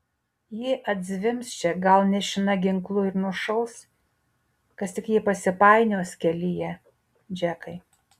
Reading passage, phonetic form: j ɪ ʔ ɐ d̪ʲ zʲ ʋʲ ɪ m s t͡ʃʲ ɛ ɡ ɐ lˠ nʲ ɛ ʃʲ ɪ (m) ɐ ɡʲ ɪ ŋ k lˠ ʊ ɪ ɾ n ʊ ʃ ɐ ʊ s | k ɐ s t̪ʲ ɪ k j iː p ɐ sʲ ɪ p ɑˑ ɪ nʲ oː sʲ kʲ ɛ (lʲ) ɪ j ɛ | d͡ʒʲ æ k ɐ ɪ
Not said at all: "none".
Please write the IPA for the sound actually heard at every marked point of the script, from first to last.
n, lʲ

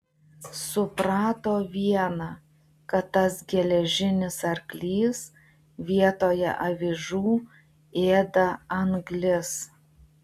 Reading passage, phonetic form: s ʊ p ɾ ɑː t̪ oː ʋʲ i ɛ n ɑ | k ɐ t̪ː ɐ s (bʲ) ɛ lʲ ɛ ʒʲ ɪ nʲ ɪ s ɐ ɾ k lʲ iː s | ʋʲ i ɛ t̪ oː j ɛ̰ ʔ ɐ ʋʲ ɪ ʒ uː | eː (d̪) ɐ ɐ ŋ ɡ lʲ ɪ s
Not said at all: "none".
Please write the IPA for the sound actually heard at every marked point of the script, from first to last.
ɡʲ, d̪

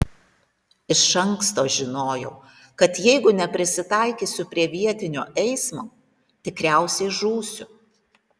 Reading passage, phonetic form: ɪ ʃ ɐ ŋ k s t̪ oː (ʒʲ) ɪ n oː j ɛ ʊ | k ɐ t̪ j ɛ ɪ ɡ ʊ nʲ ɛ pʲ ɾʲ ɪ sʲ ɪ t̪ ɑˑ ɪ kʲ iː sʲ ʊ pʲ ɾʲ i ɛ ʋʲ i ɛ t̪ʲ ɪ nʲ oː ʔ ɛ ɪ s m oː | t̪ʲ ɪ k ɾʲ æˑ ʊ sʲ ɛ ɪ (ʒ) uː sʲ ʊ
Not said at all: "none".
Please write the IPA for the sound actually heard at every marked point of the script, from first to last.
ʒʲ, ʒ

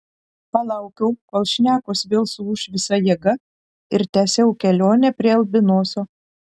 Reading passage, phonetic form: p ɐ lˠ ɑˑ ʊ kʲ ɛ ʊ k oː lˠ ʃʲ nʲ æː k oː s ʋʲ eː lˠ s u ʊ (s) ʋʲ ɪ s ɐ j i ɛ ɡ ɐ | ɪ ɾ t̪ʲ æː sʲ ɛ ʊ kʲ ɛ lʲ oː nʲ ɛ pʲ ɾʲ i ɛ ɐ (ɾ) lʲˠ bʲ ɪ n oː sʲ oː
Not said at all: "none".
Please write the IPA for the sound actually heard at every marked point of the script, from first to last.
ʃ, none

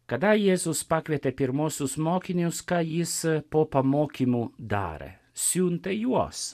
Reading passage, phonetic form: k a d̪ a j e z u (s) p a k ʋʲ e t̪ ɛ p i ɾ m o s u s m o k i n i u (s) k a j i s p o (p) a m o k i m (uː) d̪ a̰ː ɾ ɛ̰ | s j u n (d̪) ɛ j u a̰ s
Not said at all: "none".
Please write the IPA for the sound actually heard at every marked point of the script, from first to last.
s, s, p, u, t̪

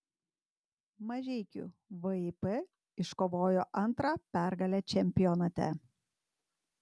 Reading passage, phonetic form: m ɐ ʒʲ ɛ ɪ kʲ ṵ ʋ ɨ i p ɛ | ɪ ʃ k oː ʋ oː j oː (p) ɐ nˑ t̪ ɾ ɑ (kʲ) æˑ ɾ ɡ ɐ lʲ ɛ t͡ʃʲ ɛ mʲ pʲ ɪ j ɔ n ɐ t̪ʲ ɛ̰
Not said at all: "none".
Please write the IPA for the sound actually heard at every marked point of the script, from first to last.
ʔ, pʲ

